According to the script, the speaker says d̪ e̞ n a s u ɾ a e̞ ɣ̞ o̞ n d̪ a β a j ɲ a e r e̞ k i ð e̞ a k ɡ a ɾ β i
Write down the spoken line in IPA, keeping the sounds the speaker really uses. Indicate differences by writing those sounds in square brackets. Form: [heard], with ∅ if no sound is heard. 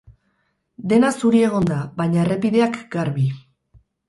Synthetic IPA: d̪ e̞ n a s u ɾ [i] e̞ ɣ̞ o̞ n d̪ a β a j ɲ a e r e̞ [p] i ð e̞ a k ɡ a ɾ β i